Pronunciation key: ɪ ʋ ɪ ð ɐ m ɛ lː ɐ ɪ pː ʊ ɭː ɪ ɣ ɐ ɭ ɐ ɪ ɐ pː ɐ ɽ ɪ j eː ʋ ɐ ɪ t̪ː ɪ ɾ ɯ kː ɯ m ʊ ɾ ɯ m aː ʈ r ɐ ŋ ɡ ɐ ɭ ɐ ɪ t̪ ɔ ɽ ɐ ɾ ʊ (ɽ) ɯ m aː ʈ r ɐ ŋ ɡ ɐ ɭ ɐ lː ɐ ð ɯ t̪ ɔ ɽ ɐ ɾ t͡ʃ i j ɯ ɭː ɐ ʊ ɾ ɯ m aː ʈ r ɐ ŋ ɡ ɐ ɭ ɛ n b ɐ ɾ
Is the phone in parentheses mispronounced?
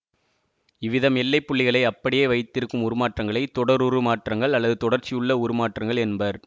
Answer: yes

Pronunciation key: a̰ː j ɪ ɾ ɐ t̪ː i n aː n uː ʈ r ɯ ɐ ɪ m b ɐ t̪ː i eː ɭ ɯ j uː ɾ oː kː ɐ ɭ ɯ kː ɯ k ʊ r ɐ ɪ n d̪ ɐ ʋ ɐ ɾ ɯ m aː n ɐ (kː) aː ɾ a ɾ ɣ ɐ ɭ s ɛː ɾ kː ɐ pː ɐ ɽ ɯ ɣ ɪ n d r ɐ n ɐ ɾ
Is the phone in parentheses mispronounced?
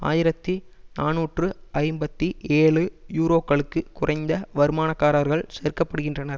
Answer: no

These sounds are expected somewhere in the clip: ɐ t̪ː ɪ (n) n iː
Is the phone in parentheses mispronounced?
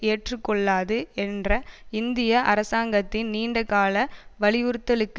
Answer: no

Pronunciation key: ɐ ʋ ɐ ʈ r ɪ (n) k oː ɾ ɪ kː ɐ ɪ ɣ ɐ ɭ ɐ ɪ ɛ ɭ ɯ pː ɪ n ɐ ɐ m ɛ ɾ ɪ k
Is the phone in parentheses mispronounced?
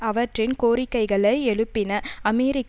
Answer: no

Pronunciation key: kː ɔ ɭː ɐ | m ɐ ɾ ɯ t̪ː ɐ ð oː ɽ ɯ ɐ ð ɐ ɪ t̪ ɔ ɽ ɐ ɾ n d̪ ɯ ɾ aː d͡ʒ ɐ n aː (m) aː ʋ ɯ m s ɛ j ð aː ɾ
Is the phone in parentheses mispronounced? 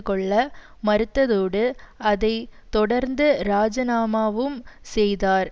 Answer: no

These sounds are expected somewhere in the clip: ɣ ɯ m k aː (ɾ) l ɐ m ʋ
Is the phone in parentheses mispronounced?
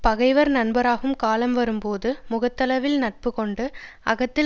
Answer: yes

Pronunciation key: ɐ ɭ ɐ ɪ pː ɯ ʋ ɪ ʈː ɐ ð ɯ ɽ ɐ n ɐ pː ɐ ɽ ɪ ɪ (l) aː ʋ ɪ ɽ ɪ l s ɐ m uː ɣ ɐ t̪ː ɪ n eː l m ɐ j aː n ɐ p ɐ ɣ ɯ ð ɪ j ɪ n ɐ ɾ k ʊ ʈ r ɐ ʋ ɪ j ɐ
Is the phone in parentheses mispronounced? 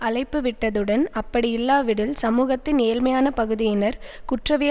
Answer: yes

